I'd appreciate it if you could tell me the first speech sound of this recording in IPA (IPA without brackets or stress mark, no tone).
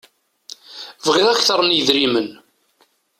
v